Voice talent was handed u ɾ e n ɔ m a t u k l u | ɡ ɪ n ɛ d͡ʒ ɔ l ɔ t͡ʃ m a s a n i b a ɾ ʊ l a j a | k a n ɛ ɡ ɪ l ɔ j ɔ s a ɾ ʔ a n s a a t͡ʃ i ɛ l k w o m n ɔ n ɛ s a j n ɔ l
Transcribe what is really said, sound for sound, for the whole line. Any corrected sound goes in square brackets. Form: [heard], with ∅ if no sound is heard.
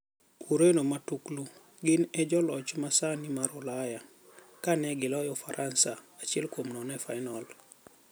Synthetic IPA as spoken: u ɾ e n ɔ m a t u k l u | ɡ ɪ n ɛ d͡ʒ ɔ l ɔ t͡ʃ m a s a n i [m] a ɾ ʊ l a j a | k a n ɛ ɡ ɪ l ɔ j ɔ [f] a ɾ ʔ a n s a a t͡ʃ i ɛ l k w o m n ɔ n ɛ [f] a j n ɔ l